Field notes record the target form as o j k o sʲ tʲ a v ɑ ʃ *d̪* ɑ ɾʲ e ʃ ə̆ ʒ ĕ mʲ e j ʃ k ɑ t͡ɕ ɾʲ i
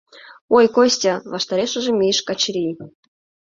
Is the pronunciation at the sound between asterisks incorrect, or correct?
incorrect: t̪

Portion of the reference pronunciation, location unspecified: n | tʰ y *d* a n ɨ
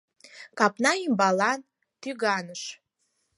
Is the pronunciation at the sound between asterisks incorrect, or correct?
incorrect: ɡ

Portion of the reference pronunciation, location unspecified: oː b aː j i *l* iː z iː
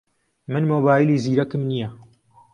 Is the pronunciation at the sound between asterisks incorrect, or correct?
correct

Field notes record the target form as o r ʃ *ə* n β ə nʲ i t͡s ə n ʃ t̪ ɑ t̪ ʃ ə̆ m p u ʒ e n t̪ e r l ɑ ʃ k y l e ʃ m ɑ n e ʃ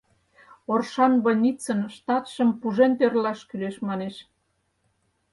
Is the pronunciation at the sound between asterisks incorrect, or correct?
incorrect: ɑ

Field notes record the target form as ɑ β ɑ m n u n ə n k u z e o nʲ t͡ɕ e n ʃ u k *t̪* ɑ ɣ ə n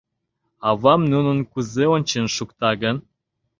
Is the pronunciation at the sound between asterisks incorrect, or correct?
correct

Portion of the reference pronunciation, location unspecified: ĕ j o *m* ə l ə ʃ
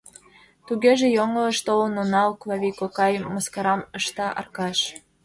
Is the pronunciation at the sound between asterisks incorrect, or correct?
incorrect: ŋ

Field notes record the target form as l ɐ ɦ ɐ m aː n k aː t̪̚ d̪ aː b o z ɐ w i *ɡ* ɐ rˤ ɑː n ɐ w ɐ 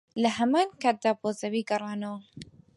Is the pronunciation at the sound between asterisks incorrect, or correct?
correct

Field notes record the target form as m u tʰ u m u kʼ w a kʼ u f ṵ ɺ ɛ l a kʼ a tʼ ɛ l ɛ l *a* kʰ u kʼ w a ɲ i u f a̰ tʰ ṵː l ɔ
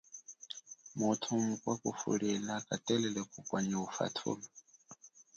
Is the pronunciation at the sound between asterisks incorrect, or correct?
incorrect: ɛ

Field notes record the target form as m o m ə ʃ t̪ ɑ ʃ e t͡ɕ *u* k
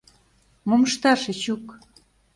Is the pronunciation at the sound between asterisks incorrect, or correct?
correct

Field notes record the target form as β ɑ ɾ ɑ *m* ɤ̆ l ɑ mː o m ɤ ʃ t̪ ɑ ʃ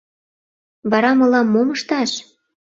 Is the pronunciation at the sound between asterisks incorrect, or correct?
correct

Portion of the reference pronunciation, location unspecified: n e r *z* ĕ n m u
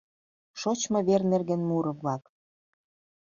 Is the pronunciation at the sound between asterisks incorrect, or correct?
incorrect: ɣ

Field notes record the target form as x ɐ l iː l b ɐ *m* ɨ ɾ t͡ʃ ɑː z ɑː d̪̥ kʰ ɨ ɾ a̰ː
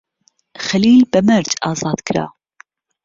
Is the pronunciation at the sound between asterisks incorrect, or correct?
correct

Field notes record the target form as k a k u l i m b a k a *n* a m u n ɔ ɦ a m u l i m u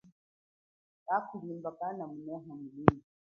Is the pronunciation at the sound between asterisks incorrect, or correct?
correct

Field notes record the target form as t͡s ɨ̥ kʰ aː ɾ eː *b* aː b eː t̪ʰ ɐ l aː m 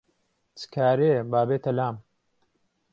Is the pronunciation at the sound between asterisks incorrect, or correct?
correct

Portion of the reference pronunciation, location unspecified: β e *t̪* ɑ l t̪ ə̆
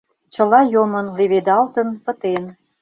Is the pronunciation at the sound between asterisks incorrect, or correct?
incorrect: d̪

